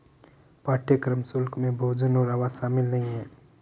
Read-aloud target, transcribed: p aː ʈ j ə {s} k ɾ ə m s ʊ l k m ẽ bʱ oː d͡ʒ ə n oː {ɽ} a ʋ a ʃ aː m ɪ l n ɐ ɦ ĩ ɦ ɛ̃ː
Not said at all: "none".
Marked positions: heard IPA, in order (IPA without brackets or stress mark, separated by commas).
none, ɾ